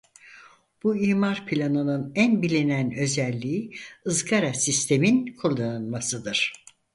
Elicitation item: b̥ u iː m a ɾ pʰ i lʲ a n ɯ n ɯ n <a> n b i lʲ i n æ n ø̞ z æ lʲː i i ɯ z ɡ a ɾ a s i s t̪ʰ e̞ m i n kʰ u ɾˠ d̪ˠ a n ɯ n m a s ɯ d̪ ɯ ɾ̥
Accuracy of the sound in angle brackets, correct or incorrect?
incorrect